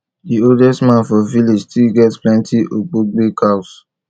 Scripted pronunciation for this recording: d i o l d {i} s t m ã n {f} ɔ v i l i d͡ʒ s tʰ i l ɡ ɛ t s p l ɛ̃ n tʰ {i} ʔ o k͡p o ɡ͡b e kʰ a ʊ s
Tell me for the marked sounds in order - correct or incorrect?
incorrect: ɛ, correct, correct

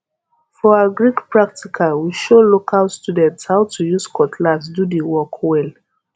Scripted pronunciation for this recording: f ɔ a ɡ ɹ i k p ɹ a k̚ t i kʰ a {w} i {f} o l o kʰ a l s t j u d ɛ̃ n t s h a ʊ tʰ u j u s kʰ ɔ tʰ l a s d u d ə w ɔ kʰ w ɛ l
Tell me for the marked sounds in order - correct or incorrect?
correct, incorrect: ʃ

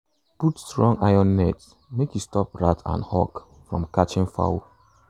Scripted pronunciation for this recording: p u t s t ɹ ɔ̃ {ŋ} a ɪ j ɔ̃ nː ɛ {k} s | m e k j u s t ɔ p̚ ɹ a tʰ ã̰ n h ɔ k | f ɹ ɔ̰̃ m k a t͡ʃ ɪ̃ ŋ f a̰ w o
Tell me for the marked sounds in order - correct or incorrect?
correct, incorrect: t

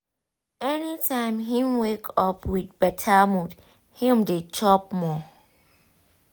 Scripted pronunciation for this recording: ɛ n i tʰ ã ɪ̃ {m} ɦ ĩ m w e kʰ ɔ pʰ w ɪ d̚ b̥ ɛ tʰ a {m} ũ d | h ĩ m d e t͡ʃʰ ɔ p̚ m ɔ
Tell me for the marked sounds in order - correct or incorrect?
correct, correct

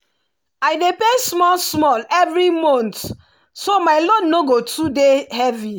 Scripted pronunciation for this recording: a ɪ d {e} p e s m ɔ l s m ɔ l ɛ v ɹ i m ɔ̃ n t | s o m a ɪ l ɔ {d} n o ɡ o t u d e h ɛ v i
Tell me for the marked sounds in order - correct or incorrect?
correct, correct

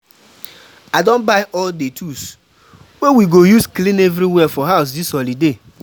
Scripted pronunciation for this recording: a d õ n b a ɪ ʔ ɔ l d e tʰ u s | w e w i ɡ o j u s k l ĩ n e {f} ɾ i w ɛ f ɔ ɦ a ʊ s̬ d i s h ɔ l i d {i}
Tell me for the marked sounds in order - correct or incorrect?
incorrect: v, incorrect: e

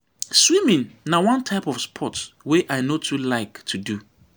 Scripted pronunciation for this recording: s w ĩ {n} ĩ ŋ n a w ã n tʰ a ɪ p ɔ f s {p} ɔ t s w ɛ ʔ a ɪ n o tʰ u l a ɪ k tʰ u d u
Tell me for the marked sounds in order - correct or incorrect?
incorrect: m, incorrect: pʰ

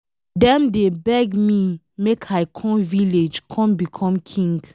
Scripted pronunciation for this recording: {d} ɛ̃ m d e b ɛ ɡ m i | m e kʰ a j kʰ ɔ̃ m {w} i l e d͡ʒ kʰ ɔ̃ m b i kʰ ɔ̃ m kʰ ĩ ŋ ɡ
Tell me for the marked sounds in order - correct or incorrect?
correct, incorrect: v

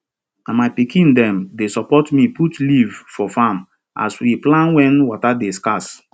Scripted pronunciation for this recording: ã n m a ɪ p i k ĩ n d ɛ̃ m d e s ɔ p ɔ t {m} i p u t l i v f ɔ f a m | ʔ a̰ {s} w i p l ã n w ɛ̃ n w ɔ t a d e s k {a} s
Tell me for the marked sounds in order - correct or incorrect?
correct, correct, correct

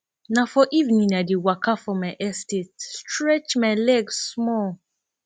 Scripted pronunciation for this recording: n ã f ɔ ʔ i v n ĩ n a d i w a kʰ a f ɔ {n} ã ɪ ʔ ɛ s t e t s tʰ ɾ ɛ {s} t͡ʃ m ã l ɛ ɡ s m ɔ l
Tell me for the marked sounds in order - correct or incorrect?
incorrect: m, incorrect: none

